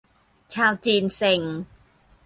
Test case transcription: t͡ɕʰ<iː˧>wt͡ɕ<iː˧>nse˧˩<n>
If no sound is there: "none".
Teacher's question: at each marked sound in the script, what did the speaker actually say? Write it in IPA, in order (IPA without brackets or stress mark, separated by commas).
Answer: aː˧, iː˧, ŋ